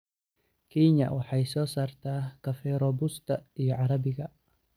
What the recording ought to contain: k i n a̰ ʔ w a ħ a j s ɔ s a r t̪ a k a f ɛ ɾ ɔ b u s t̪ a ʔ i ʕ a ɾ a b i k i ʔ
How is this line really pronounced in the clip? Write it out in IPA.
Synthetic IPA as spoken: k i ɲ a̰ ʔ w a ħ a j s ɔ s a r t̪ a k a f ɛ ɾ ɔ b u s t̪ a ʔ i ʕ a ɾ a b i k a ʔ